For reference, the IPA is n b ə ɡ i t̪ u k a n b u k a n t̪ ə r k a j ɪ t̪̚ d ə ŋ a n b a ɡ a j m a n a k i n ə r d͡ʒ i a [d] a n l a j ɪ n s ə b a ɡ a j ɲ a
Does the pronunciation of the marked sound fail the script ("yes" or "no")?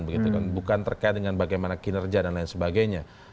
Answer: no